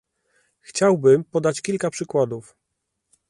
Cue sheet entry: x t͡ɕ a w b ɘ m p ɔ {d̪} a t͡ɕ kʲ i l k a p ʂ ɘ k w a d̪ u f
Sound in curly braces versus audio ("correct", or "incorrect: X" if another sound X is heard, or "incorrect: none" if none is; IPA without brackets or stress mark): correct